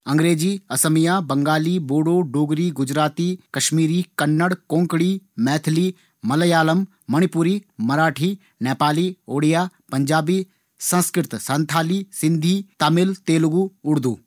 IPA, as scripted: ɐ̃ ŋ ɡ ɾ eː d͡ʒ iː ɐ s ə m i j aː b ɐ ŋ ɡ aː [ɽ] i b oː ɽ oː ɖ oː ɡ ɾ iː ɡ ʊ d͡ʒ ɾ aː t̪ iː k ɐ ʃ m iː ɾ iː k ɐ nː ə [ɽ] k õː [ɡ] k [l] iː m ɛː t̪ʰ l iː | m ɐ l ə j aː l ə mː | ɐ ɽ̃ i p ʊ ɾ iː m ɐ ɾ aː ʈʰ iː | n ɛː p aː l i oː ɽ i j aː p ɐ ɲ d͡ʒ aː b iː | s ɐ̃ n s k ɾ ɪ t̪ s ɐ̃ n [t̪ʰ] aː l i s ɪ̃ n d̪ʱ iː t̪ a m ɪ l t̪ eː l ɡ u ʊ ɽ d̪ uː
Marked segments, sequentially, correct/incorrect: incorrect: l, correct, incorrect: ŋ, incorrect: ɽ, correct

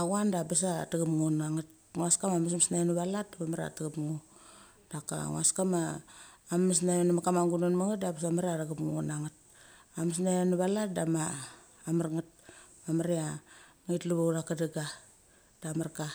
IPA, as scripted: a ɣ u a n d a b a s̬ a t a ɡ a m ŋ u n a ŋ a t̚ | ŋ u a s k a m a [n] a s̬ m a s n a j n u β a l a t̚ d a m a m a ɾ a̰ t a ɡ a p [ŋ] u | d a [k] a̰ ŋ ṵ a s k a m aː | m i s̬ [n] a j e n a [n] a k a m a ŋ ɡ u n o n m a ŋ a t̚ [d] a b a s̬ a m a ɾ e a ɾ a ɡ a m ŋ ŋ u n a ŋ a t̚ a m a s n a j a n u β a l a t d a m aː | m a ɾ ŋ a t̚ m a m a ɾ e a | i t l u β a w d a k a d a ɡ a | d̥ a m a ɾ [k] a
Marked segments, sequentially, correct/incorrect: incorrect: m, correct, correct, correct, incorrect: m, correct, correct

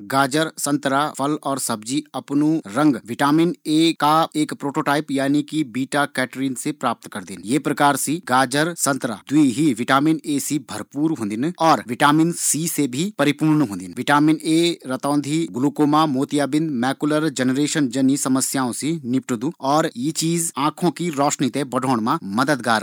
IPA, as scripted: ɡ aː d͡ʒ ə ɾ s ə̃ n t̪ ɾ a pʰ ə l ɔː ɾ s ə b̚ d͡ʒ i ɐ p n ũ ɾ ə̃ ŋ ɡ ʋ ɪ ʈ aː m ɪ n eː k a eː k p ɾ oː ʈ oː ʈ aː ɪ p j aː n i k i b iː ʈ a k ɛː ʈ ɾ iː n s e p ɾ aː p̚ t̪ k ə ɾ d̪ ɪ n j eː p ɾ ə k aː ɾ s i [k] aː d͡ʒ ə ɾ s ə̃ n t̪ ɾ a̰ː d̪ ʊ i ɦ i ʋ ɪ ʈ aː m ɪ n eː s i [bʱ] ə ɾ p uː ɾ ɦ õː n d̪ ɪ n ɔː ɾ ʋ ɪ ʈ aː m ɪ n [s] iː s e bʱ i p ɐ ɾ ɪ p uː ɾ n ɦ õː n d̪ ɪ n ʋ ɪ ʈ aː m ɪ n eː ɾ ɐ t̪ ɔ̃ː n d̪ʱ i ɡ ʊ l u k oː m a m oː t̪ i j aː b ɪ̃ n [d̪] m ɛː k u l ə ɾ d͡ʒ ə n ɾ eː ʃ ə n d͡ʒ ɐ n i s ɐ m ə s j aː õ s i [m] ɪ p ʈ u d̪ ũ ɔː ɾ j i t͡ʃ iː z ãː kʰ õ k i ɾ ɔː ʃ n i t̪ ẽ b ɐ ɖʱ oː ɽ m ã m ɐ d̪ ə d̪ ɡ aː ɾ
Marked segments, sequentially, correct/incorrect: incorrect: ɡ, correct, correct, correct, incorrect: n

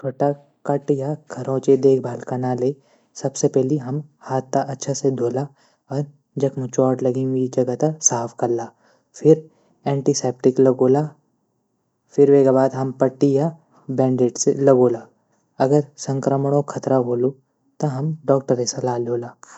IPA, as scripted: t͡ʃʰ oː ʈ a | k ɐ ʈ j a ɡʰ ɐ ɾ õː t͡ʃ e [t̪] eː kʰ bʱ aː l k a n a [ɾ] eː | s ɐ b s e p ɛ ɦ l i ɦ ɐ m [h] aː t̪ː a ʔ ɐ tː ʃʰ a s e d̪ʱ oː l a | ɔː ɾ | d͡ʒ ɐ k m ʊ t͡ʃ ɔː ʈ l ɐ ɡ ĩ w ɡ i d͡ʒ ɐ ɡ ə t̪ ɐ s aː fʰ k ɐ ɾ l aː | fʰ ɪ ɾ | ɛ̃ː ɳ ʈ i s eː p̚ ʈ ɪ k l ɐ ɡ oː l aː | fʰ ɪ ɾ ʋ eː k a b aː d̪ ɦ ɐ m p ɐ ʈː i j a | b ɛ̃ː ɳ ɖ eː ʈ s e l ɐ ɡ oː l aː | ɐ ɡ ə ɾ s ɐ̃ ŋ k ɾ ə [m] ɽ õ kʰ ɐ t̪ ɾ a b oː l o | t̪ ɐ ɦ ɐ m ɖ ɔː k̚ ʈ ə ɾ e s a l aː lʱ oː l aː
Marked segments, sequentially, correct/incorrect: incorrect: d̪, incorrect: l, correct, correct

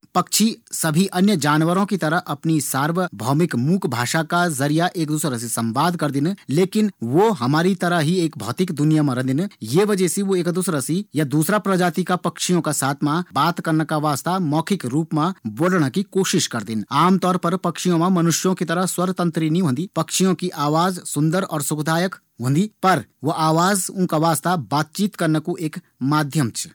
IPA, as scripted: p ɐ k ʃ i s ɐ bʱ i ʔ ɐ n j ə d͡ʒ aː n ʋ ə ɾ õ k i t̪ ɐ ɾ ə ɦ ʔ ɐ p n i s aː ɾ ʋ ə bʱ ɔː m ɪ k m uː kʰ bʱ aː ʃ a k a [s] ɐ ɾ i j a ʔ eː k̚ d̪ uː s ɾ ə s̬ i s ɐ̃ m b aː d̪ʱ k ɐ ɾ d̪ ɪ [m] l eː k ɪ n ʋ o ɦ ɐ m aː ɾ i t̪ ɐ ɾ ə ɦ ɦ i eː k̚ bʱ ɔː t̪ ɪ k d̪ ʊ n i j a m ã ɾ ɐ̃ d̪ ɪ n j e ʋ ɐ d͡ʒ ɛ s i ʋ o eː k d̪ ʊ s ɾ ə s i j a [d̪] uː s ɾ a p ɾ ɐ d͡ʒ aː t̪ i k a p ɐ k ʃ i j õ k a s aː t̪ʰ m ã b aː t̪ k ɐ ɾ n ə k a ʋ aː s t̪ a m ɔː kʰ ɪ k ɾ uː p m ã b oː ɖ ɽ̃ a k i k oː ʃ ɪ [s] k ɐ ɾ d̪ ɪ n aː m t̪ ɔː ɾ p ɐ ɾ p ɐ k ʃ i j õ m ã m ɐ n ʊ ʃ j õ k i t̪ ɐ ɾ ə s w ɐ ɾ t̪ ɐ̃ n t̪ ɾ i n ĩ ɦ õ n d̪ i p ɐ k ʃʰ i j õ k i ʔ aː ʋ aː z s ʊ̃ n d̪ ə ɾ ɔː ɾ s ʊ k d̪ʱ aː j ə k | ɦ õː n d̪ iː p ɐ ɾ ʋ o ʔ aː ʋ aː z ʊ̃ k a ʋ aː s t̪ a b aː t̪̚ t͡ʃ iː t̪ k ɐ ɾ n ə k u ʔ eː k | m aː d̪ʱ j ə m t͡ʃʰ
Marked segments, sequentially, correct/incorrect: incorrect: z, incorrect: n, correct, incorrect: ʃ

